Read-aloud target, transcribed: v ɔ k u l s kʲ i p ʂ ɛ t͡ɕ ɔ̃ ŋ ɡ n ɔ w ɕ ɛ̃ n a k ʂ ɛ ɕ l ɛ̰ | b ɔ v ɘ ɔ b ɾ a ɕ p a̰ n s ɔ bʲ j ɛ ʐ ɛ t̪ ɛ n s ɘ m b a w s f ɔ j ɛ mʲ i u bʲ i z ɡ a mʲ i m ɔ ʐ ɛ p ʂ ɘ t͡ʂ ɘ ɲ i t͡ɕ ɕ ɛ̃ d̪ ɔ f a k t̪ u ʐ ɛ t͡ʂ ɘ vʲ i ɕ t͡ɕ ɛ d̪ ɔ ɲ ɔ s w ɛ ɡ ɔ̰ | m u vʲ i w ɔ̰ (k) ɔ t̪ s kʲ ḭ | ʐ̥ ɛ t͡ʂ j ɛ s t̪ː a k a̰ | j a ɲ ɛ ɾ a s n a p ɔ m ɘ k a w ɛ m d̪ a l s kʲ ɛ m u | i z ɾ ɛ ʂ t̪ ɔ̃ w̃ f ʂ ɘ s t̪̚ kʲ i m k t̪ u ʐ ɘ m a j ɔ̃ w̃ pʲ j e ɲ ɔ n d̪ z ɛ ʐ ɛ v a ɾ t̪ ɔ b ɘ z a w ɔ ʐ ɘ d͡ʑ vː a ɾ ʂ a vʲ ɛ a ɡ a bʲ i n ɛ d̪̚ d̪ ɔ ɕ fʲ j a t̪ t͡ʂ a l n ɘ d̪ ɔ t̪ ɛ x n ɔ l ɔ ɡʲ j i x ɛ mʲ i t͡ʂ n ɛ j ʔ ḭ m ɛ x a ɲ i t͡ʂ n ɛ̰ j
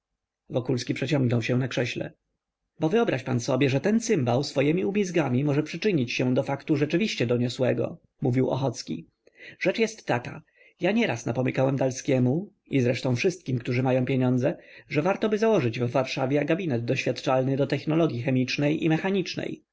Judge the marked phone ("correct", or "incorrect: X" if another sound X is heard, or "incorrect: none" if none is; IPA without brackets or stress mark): incorrect: x